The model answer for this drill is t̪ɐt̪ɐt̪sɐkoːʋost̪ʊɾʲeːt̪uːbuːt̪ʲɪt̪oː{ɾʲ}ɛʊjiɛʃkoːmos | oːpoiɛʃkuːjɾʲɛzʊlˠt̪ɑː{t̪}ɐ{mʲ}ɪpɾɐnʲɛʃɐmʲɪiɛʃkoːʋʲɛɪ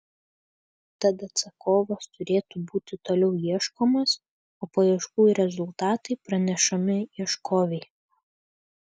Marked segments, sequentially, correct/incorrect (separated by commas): incorrect, correct, incorrect